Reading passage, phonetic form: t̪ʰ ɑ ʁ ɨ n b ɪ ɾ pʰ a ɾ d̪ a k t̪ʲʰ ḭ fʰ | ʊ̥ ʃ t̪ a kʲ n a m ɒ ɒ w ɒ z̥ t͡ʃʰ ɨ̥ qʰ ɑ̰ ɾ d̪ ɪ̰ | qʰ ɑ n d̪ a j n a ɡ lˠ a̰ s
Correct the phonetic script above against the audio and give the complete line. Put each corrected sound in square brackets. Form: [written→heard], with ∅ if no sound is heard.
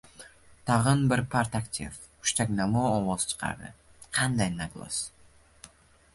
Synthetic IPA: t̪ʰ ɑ ʁ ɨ n b ɪ ɾ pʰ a ɾ [d̪→t̪] a k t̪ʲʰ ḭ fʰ | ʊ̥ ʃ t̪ a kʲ n a m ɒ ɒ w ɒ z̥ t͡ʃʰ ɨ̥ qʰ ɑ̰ ɾ d̪ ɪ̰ | qʰ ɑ n d̪ a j n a ɡ lˠ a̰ s